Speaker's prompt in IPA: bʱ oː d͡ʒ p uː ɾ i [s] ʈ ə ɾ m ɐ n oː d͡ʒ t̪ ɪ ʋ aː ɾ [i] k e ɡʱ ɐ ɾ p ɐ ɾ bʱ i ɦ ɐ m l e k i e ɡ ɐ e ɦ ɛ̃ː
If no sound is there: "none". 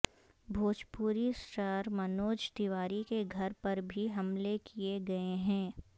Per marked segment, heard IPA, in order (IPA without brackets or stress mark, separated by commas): s, i